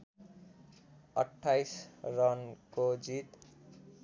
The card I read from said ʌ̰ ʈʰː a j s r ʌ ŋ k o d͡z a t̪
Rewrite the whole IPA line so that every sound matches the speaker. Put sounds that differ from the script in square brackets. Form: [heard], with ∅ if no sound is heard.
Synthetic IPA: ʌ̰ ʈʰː a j s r ʌ [n] k o d͡z [i] t̪